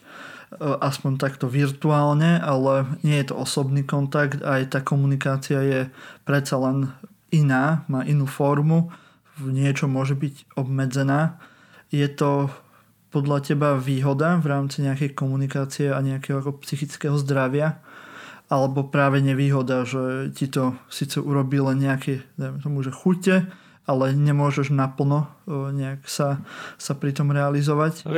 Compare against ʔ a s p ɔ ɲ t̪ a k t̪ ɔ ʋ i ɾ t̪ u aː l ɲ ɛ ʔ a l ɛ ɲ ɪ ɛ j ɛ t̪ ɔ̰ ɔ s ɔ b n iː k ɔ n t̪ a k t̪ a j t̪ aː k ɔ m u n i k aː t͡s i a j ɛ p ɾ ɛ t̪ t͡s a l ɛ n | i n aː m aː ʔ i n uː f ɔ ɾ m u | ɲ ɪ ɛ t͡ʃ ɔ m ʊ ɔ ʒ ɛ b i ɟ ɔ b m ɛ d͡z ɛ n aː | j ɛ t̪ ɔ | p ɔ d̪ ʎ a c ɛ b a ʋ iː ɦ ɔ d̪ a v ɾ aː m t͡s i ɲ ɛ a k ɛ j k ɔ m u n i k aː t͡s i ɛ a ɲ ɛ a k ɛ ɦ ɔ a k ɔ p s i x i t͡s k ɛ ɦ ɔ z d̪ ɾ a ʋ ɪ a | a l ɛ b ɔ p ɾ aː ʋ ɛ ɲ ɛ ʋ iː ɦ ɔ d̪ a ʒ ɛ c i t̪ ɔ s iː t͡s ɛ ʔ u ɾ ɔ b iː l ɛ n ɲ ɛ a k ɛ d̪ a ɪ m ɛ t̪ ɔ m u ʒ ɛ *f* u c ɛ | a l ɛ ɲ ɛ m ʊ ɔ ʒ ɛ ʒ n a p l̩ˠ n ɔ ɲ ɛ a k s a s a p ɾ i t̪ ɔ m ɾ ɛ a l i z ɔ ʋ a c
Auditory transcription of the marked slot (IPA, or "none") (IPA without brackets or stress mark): x